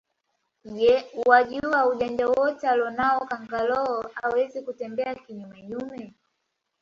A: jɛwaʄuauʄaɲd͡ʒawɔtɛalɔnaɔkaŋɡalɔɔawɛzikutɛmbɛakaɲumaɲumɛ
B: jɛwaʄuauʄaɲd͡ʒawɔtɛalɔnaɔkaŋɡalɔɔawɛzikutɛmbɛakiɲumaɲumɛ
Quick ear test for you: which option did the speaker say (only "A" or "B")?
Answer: B